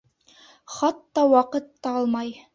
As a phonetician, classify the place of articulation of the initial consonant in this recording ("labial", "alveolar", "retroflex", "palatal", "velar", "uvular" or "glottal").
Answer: uvular